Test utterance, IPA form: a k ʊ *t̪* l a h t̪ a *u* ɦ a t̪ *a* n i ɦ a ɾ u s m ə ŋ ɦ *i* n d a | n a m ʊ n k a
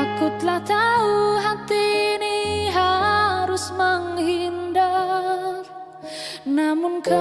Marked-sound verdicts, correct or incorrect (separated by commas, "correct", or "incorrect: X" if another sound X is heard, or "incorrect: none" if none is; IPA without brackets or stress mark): correct, correct, incorrect: i, correct